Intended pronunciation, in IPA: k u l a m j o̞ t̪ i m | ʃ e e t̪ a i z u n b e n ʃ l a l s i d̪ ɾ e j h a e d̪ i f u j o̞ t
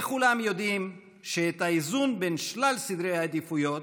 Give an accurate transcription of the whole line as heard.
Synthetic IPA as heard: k u l a m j o̞ d̪ i m | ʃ e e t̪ a i z u n b e n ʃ l a l s i d̪ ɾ e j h a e d̪ i f u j o̞ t